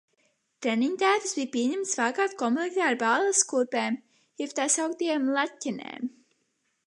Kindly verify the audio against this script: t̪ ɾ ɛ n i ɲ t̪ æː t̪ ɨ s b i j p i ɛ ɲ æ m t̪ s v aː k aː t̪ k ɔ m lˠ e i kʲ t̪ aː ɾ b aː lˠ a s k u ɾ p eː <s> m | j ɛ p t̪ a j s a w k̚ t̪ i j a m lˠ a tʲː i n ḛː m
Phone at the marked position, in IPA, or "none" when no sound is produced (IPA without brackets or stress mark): none